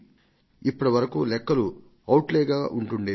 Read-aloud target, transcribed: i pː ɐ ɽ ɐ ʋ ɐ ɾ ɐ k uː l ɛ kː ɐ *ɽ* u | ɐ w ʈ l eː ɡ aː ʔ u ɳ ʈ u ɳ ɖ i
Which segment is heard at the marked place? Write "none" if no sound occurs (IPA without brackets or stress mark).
l